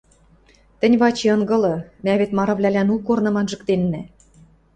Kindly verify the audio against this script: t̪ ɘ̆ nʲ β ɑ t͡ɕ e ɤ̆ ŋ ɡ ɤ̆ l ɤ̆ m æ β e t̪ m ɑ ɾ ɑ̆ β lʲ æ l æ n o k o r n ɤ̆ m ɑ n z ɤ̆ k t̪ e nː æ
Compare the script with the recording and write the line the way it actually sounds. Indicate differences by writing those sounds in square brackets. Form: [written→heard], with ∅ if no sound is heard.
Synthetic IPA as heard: t̪ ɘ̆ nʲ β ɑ t͡ɕ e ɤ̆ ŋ ɡ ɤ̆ l ɤ̆ m æ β e t̪ m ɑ ɾ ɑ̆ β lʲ æ l æ n [o→u] k o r n ɤ̆ m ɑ n [z→ʒ] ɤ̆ k t̪ e nː æ